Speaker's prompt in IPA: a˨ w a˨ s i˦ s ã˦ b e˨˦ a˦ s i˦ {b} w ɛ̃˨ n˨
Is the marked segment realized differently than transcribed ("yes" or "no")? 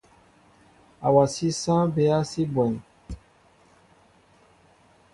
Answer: no